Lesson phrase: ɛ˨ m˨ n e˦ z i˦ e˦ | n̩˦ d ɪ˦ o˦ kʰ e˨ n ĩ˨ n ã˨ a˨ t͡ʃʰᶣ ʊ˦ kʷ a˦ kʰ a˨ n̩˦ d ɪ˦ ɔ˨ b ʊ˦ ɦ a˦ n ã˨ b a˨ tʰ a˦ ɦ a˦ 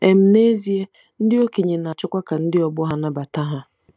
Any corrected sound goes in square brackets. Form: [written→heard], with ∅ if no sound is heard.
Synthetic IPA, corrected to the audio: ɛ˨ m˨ n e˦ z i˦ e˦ | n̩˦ d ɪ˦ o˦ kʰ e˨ [n→ɲ] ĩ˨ n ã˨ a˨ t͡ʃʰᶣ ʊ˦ kʷ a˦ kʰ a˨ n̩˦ d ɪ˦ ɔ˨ b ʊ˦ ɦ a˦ n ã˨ b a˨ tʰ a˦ ɦ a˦